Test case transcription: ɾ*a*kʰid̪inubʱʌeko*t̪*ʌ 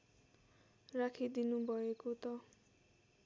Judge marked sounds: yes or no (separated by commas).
yes, yes